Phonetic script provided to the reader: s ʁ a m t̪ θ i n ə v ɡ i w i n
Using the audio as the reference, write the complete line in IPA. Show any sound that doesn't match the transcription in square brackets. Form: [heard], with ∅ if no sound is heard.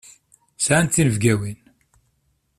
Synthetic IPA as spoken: s [ʕ] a [n] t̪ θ i n ə v ɡ [æ] w i n